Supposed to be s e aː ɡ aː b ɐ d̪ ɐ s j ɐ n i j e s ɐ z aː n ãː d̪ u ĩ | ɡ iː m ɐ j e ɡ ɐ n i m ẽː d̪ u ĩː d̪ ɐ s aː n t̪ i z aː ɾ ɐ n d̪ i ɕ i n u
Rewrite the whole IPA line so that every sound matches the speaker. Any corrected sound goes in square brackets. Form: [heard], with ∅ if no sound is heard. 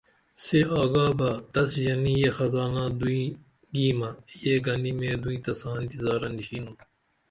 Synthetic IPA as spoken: s e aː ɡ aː b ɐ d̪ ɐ s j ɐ n i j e [x] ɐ z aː n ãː d̪ u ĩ | ɡ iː m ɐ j e ɡ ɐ n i m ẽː d̪ u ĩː [t̪] ɐ s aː n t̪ i z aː ɾ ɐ n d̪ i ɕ i n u

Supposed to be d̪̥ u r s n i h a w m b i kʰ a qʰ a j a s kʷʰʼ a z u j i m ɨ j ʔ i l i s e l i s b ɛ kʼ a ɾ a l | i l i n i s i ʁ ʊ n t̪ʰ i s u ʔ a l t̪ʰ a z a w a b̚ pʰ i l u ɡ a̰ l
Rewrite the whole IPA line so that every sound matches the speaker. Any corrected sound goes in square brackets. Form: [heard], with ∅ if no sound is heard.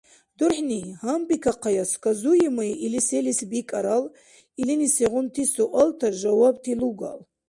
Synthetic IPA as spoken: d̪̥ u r [ħ] n i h a [∅] m b i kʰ a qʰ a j a s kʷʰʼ a z u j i m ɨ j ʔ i l i s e l i s b [i] kʼ a ɾ a l | i l i n i s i ʁ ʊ n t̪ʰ i s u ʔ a l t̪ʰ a [ʒ] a w a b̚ [tʰ] i l u ɡ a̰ l

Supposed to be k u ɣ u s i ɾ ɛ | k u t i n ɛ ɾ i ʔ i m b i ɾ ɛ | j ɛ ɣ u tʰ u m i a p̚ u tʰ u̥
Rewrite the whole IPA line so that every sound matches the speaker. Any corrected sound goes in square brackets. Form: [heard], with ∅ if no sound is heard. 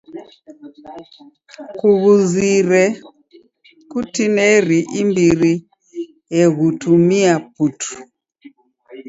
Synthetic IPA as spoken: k u ɣ u [z] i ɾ ɛ | k u t i n ɛ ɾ i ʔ i m b i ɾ [i] | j ɛ ɣ u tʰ u m i a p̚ u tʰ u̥

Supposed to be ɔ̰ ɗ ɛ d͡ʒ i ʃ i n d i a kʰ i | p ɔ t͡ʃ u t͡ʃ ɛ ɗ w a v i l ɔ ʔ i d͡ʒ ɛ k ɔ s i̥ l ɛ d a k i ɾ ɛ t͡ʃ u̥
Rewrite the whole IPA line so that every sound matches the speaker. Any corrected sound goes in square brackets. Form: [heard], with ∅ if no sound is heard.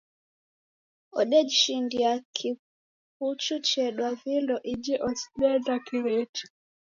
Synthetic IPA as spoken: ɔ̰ ɗ ɛ d͡ʒ i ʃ i n d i a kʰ i | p [u] t͡ʃ u t͡ʃ ɛ ɗ w a v i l ɔ ʔ i d͡ʒ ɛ [ʔ] ɔ s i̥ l ɛ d a k i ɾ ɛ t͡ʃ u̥

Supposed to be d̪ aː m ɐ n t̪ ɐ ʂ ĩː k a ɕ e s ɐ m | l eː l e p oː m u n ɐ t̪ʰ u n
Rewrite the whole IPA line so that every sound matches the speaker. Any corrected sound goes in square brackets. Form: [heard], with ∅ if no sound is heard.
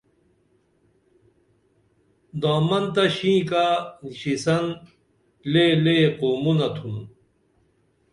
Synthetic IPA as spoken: d̪ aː m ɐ n t̪ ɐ [ɕ] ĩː k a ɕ [i] s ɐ [n] | l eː l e [q] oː m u n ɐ t̪ʰ u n

